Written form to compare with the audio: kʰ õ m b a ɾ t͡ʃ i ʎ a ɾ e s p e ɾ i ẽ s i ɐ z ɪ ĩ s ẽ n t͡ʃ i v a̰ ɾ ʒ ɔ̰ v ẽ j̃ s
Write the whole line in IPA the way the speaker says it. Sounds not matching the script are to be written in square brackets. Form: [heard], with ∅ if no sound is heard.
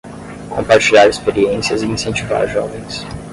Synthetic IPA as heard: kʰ õ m [p] a ɾ t͡ʃ i ʎ a ɾ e s p e ɾ i ẽ s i ɐ z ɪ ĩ s ẽ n t͡ʃ i v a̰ ɾ ʒ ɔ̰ v ẽ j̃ s